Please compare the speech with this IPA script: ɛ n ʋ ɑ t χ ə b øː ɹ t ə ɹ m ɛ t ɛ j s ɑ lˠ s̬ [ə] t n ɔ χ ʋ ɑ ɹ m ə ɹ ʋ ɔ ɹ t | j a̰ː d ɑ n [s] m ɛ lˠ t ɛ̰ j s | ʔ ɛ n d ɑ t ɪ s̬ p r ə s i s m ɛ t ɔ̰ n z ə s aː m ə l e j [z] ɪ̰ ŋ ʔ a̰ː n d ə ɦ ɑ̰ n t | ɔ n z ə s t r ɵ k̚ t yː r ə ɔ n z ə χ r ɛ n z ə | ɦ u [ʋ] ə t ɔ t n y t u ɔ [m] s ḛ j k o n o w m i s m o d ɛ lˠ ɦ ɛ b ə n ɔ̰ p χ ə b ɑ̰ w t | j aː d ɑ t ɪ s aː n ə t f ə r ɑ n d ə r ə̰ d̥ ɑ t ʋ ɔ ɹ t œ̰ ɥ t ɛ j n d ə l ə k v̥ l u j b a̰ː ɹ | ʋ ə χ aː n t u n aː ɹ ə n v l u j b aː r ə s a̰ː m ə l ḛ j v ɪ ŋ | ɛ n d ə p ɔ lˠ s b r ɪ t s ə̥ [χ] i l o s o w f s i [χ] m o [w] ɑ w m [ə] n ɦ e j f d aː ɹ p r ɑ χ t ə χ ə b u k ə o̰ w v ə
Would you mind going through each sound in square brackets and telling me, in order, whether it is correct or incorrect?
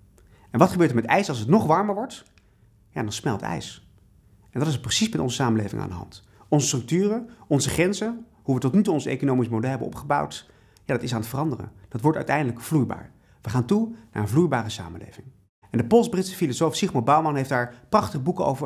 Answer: correct, correct, incorrect, correct, incorrect, incorrect, correct, incorrect, incorrect

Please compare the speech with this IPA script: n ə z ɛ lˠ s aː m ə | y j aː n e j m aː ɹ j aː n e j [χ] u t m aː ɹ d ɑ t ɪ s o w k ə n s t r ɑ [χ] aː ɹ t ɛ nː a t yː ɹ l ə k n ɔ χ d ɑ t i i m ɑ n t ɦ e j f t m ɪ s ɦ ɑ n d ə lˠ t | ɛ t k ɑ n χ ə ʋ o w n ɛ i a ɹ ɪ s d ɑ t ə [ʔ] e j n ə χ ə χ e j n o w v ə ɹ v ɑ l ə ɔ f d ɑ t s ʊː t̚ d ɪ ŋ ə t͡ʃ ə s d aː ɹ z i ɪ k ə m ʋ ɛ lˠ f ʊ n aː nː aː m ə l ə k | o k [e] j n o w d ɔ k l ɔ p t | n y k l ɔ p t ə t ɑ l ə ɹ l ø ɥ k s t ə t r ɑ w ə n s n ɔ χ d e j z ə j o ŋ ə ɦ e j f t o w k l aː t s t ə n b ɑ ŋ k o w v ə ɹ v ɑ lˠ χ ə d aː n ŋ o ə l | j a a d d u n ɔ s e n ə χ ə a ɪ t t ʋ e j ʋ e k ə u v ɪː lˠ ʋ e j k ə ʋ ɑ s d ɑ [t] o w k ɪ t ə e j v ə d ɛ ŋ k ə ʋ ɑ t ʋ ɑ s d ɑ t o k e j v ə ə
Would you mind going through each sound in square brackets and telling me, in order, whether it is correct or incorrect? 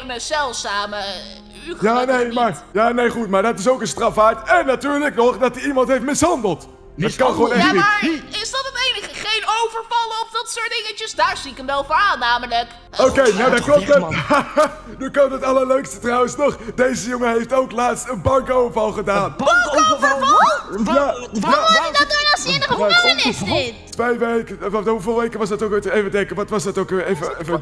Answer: correct, incorrect, incorrect, correct, correct

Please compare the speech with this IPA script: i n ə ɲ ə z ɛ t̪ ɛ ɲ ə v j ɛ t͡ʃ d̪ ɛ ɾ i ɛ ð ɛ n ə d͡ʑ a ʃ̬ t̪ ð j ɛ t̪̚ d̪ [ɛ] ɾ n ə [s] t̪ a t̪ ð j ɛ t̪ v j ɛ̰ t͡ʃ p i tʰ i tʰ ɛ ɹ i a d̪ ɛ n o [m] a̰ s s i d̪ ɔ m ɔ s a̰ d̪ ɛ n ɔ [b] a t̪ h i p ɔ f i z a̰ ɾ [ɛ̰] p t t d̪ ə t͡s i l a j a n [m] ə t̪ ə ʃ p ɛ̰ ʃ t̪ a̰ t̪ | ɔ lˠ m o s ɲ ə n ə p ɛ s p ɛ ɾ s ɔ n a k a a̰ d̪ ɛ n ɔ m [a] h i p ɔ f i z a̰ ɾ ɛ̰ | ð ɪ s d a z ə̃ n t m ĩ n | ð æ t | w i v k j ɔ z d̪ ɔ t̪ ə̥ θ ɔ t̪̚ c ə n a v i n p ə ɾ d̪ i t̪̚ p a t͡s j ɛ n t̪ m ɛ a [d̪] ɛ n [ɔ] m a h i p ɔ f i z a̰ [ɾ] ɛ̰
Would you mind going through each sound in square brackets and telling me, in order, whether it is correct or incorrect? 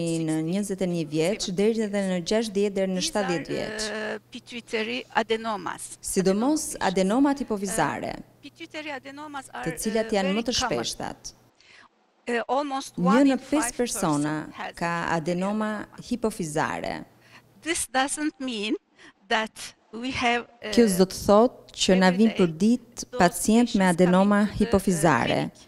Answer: correct, incorrect, correct, incorrect, correct, correct, correct, correct, correct, correct

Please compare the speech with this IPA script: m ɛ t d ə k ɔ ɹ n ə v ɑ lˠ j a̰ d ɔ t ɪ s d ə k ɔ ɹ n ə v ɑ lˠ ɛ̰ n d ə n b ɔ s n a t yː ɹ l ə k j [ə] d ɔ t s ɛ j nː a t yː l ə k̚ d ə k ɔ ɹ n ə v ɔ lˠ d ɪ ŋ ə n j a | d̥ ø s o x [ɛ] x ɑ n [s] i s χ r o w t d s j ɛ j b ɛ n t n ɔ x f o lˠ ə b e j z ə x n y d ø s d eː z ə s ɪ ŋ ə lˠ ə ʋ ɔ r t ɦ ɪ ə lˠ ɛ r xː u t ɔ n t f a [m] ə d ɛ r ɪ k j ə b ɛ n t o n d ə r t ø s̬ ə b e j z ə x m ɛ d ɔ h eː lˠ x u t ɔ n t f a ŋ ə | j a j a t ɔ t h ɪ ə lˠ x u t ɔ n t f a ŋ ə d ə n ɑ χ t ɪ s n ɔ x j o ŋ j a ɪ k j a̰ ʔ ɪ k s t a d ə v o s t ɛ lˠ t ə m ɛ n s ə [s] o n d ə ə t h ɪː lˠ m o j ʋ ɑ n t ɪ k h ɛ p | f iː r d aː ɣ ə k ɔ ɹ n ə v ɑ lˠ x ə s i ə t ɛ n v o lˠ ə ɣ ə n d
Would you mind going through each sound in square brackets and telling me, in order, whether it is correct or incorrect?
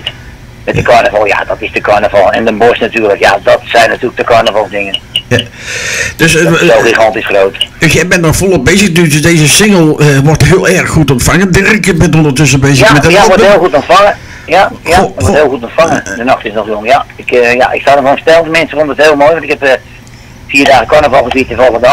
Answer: incorrect, incorrect, incorrect, incorrect, incorrect

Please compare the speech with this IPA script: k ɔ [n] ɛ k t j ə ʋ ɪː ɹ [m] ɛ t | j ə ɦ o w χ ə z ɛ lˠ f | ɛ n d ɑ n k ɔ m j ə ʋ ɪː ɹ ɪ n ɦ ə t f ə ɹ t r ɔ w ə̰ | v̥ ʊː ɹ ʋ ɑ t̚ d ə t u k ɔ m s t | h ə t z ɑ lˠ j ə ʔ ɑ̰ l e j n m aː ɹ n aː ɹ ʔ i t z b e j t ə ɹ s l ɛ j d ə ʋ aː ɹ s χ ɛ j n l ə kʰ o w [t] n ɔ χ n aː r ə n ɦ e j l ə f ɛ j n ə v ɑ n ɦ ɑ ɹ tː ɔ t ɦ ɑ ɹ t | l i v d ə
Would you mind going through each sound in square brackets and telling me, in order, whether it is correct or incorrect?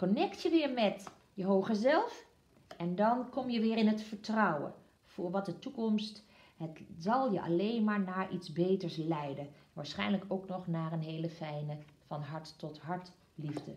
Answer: correct, correct, incorrect

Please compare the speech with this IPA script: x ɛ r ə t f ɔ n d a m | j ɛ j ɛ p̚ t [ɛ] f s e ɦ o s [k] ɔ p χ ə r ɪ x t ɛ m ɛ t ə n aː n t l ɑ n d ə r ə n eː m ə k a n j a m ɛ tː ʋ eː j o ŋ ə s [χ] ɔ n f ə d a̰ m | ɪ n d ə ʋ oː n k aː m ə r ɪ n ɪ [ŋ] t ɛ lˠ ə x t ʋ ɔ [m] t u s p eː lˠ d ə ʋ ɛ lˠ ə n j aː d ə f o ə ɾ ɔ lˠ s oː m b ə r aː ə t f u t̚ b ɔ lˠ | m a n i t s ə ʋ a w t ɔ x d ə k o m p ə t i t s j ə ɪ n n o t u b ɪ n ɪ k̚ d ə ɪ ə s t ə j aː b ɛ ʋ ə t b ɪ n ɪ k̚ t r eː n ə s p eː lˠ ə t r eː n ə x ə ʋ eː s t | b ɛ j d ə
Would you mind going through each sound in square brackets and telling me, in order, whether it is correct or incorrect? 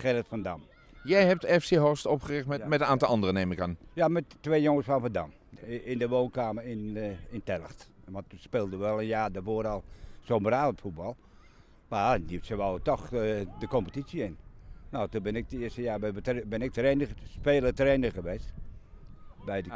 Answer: correct, incorrect, incorrect, incorrect, incorrect

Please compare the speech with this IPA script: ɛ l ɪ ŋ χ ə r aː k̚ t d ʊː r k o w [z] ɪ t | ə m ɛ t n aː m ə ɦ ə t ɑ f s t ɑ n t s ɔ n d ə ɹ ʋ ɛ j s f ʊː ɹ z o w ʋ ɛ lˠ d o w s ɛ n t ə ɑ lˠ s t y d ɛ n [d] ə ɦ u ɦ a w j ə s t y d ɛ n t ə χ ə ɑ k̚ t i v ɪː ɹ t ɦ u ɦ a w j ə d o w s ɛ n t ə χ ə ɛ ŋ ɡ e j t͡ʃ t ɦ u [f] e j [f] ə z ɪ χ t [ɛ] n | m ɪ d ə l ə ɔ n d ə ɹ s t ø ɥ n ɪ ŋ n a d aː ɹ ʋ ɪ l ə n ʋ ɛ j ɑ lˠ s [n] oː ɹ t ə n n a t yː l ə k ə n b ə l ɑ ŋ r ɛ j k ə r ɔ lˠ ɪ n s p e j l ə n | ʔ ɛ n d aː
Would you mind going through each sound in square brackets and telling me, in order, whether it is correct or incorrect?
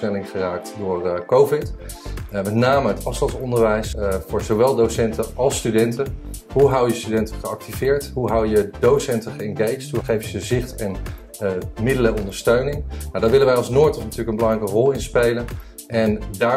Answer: incorrect, incorrect, incorrect, correct, correct, correct

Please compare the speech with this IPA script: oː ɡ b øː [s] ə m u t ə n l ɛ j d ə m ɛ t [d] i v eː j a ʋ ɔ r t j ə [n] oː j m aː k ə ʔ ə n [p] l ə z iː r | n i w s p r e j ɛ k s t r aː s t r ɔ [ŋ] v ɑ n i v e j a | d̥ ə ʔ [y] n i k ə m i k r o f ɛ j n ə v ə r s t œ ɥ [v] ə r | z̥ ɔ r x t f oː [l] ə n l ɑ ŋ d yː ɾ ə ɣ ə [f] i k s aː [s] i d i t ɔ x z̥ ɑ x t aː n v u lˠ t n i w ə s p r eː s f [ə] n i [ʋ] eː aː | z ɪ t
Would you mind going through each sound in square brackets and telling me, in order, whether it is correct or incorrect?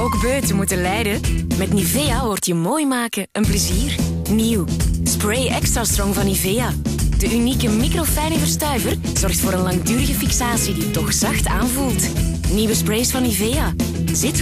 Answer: incorrect, incorrect, incorrect, correct, correct, correct, correct, incorrect, correct, correct, incorrect, incorrect

